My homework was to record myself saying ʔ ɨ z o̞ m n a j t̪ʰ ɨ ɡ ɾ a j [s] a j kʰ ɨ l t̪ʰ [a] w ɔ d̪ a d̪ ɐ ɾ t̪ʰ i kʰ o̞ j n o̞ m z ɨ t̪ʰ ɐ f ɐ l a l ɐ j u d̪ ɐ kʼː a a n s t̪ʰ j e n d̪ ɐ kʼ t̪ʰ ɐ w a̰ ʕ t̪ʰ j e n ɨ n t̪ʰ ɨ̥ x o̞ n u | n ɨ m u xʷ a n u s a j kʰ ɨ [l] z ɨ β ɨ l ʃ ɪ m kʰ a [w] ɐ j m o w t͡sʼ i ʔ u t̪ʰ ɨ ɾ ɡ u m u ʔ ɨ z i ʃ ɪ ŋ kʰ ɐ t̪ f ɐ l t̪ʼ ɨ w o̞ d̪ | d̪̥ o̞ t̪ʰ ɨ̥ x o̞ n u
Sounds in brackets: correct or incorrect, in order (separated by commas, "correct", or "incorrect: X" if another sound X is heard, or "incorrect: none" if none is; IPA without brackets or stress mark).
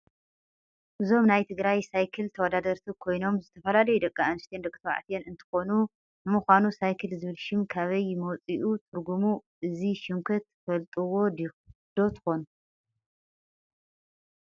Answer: correct, incorrect: ɐ, correct, incorrect: β